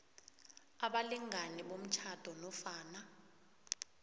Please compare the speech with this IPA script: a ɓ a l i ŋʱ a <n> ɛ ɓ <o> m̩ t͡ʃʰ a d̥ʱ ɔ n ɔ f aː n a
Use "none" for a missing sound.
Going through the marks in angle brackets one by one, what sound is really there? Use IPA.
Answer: n, o

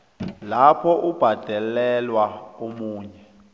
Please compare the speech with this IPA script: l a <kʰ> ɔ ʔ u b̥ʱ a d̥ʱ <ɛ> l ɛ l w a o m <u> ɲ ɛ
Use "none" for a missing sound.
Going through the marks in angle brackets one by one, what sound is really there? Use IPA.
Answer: pʰ, ɛ, uː

